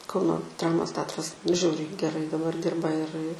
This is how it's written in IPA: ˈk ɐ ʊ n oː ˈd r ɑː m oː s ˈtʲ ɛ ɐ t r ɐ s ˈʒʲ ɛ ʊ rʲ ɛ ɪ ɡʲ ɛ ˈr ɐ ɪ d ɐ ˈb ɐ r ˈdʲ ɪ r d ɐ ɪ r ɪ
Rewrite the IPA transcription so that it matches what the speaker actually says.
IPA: ˈk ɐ ʊ n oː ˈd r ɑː m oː s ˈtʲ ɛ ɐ t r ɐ s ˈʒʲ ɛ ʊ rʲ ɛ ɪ ɡʲ ɛ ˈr ɐ ɪ d ɐ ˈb ɐ r ˈdʲ ɪ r b ɐ ɪ r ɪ